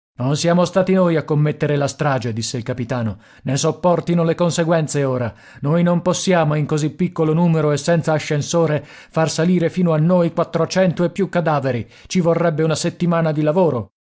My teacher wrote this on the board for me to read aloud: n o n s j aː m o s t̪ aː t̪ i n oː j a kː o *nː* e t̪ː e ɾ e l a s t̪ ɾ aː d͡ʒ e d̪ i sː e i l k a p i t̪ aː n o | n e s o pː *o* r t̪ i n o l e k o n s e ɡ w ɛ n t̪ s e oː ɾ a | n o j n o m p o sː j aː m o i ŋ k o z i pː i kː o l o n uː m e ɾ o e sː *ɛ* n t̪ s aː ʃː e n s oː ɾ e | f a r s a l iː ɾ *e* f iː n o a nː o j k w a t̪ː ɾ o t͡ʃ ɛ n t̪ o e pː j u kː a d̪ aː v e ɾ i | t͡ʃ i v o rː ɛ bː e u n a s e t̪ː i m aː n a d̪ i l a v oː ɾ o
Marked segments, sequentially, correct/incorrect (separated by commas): incorrect, incorrect, correct, correct